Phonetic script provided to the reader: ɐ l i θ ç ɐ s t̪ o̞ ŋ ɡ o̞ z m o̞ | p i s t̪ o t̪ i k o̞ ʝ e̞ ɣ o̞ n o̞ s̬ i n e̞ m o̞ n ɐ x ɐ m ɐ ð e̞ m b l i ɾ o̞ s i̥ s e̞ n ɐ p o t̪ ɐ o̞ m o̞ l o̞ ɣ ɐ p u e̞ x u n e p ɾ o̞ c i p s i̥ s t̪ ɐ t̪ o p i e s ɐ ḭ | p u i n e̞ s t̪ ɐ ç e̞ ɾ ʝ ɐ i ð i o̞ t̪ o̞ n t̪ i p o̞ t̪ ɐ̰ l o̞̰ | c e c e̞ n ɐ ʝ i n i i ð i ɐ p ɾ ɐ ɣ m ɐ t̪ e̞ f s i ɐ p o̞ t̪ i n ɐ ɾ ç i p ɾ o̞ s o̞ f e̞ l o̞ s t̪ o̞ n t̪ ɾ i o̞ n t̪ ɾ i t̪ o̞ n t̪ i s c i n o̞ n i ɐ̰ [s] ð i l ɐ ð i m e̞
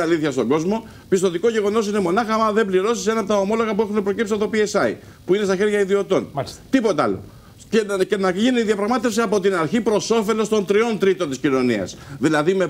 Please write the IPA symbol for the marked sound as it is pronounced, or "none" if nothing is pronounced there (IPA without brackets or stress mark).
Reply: s